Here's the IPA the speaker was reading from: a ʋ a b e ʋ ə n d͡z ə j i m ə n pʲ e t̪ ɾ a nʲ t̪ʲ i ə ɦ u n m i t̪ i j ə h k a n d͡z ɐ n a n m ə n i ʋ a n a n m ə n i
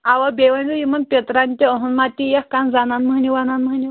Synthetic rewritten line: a ʋ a b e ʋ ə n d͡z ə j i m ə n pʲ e t̪ ɾ a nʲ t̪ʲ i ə ɦ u n m a t̪ i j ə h k a n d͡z a n a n m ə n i ʋ a n a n m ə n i